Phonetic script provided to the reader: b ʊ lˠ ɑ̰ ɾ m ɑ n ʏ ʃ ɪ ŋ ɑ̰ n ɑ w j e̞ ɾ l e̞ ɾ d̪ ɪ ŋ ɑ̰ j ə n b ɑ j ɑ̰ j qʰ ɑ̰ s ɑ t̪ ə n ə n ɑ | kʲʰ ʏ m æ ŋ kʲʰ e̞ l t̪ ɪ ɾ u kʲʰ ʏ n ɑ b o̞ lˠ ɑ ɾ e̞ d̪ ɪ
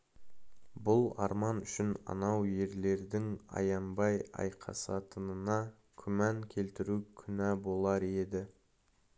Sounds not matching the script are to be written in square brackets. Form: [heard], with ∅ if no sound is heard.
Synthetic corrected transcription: b ʊ lˠ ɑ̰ ɾ m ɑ n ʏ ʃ ɪ [n] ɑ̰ n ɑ w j e̞ ɾ l e̞ ɾ d̪ ɪ ŋ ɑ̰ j [ɑ] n b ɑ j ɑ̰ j qʰ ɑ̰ s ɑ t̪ ə n ə n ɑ | kʲʰ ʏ m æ ŋ kʲʰ e̞ l t̪ ɪ ɾ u kʲʰ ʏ n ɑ b o̞ lˠ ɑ ɾ e̞ d̪ ɪ